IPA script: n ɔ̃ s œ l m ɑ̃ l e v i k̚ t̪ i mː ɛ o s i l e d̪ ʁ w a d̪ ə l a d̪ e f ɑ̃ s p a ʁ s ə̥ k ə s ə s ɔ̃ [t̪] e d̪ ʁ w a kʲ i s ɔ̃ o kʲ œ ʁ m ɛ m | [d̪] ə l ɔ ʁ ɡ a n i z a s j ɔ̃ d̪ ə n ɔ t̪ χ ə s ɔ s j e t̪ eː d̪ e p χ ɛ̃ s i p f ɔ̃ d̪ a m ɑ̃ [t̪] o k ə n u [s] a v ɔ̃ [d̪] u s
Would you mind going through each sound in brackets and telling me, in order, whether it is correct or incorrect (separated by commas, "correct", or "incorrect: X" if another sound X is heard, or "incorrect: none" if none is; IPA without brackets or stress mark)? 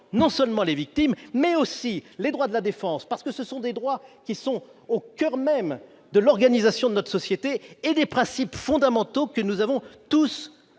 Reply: incorrect: d̪, correct, correct, incorrect: z, incorrect: t̪